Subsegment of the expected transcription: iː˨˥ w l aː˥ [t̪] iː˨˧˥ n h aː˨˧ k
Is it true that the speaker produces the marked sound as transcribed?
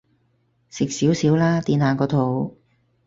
yes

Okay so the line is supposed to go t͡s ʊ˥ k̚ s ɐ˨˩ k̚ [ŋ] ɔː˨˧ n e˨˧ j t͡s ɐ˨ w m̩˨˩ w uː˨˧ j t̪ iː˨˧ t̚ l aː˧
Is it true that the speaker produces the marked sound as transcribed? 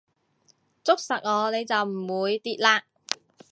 yes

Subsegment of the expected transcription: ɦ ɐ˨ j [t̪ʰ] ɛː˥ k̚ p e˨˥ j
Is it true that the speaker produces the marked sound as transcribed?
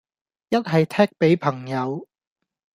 yes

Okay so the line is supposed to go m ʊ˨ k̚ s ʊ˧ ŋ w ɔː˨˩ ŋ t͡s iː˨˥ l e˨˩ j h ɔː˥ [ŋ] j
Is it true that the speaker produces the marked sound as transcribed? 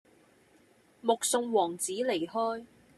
no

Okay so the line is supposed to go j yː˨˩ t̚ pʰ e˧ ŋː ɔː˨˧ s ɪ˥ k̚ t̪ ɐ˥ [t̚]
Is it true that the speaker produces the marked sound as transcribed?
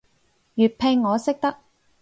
no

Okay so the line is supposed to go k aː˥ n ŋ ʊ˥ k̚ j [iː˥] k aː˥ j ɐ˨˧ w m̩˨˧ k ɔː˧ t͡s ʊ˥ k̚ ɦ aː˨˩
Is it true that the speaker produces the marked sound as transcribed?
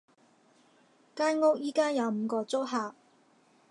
yes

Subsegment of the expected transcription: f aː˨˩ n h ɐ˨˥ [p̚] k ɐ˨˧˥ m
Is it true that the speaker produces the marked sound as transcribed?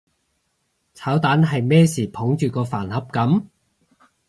yes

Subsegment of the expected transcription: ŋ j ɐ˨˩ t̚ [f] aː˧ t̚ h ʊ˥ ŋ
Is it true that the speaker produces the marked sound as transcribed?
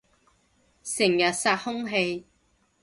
no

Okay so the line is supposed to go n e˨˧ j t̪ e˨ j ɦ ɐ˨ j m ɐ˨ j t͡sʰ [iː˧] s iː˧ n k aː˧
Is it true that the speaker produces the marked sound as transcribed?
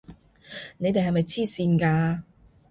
no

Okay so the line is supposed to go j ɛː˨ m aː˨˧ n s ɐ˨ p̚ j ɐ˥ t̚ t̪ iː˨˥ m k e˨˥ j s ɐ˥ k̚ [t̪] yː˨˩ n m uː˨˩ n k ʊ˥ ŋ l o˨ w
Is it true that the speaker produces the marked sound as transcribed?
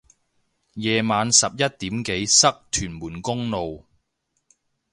no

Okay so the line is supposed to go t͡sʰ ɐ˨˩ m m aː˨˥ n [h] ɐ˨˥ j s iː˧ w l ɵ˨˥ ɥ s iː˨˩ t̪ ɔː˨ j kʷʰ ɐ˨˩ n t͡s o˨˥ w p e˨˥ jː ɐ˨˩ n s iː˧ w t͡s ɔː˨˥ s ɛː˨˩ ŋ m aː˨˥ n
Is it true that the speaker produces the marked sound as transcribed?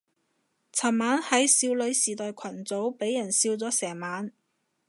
yes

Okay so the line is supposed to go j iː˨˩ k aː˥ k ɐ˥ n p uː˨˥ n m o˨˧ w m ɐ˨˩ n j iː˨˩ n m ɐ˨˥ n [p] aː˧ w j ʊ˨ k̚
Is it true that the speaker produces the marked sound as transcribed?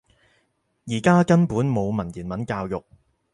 no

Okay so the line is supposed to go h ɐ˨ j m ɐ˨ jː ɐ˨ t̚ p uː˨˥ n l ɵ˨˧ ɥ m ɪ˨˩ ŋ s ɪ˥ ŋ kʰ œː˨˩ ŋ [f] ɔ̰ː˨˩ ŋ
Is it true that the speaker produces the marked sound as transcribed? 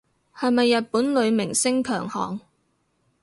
no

